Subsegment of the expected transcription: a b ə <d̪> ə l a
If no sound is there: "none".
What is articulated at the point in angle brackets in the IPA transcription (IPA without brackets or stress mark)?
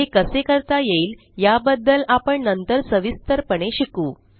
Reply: d̪ː